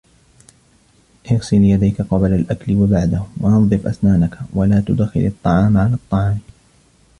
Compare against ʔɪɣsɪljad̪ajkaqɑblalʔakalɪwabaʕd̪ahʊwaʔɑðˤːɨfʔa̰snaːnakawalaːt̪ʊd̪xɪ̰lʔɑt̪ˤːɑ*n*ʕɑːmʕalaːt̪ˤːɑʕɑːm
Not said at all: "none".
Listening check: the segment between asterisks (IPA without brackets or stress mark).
none